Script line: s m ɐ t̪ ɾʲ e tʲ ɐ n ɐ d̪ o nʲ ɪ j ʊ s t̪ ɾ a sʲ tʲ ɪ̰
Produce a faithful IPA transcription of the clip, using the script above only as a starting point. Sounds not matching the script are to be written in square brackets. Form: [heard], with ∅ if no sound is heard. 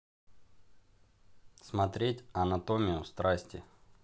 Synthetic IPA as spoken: s m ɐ t̪ ɾʲ e tʲ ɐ n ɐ [t̪] o [mʲ] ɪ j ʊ s t̪ ɾ a sʲ tʲ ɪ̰